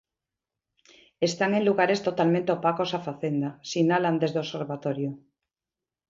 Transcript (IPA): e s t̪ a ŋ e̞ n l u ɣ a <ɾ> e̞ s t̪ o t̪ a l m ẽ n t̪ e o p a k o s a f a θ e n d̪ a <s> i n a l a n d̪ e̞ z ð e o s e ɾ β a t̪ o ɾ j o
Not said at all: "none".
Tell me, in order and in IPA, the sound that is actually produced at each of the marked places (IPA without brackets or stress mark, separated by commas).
ɾ, s